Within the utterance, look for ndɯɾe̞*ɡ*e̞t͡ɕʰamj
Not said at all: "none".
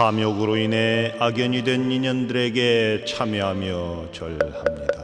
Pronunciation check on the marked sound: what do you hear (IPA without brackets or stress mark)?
ɡ